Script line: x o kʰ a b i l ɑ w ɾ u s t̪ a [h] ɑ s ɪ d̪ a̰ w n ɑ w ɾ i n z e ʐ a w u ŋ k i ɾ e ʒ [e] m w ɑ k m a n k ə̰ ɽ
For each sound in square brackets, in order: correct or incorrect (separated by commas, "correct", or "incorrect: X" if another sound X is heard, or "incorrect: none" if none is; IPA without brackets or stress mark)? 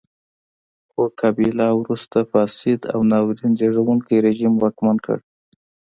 incorrect: f, incorrect: i